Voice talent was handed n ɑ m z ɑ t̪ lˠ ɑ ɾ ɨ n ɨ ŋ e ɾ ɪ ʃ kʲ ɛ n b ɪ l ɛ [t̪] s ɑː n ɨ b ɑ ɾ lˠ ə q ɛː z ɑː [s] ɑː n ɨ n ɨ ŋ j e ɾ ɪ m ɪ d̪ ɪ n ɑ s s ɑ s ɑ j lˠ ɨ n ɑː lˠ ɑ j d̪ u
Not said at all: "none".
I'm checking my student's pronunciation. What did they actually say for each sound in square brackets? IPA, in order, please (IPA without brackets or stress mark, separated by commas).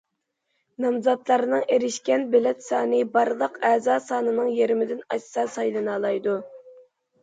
t̪, s